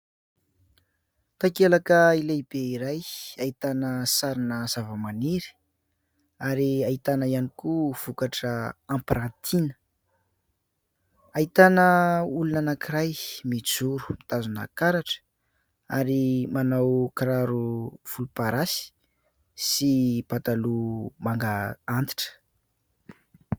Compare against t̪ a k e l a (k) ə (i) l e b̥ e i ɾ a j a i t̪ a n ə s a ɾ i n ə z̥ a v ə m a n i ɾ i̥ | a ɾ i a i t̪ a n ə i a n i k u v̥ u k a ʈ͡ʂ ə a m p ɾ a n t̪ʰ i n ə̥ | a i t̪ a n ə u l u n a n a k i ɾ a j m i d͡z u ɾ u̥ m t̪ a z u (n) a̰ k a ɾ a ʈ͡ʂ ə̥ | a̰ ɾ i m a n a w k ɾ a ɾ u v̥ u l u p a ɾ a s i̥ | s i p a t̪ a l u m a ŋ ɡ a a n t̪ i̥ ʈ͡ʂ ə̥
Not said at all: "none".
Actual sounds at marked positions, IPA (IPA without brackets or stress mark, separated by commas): k, i, n